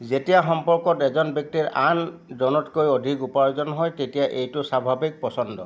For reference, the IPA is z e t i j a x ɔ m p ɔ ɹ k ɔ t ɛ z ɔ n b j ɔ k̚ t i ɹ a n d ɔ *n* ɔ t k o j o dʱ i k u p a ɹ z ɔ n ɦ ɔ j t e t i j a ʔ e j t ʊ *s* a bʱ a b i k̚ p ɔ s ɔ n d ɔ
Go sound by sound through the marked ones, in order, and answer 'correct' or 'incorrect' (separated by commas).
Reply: correct, correct